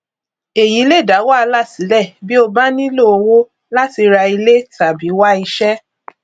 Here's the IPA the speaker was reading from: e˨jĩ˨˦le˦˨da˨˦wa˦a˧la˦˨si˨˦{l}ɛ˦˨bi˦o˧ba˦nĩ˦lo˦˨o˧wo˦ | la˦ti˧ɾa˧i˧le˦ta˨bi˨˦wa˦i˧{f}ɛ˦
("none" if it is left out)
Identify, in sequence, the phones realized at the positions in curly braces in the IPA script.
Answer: l, ʃ

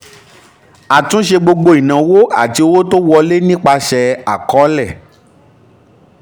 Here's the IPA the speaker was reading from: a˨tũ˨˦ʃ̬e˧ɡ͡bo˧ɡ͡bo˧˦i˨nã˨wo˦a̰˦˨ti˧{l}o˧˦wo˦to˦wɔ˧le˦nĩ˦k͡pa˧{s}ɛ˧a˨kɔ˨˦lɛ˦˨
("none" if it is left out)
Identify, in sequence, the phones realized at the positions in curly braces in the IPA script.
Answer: none, ʃ

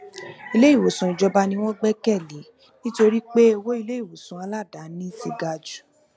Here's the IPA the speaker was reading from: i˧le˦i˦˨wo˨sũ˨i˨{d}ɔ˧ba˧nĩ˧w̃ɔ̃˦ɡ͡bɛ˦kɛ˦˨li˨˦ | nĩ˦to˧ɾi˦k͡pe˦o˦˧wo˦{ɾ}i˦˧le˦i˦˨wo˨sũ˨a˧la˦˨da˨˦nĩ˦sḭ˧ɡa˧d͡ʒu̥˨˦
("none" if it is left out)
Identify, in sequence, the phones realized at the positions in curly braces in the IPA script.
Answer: d͡ʒ, none

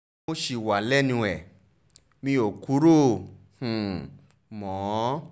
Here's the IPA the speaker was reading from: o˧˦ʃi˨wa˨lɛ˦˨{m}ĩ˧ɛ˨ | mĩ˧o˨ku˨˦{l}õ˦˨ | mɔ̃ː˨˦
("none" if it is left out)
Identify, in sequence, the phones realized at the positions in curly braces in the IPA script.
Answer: n, ɾ

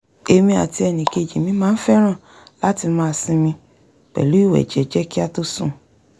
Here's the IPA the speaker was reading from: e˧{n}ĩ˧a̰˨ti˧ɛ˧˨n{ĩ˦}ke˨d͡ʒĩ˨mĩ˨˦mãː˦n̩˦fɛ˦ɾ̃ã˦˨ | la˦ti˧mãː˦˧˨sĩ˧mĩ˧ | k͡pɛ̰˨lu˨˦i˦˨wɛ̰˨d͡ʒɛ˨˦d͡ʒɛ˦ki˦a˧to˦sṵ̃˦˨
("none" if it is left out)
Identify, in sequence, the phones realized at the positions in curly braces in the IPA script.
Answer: m, ĩ˨

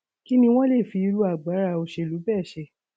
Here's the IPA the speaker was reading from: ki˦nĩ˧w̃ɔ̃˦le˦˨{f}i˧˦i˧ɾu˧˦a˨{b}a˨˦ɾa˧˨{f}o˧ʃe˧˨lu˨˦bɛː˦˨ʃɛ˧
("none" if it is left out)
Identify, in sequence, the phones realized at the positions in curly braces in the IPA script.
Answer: f, ɡ͡b, none

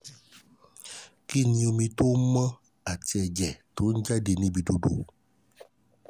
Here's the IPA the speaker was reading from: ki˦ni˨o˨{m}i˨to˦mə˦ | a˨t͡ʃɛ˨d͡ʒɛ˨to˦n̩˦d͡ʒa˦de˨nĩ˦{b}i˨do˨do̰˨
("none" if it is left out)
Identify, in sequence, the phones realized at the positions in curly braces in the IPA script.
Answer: m, b

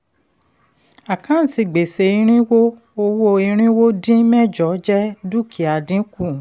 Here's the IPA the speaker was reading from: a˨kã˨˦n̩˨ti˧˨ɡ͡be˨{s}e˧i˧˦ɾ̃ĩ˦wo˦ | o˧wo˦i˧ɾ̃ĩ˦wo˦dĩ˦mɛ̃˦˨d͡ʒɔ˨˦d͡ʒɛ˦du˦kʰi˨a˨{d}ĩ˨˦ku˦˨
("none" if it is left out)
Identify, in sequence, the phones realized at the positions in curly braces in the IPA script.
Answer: s, d

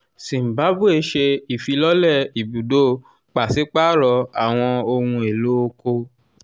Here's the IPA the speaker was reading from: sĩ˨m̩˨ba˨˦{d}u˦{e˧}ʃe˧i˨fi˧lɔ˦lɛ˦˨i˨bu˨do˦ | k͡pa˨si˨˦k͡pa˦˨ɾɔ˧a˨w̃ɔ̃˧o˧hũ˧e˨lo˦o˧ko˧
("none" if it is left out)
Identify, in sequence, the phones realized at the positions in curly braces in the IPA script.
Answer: b, e˧

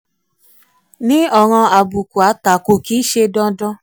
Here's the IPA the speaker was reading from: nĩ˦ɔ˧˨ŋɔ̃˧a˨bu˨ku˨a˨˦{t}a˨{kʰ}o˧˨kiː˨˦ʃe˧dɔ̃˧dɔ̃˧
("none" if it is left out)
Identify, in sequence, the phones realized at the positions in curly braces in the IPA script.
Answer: t, k

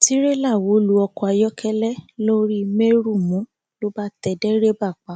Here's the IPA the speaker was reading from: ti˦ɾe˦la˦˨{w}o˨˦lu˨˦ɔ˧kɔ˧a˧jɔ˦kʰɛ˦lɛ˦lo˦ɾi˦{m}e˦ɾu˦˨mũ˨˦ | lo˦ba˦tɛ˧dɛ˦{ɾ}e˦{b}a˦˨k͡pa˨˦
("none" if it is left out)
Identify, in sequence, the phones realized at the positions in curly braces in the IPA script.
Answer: w, m, ɾ, b

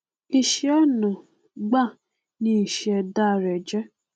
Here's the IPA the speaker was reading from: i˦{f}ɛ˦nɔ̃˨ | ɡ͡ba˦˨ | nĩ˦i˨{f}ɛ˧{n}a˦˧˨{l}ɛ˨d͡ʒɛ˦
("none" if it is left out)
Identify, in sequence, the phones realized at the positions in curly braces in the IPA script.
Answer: ʃ, ʃ, d, ɾ

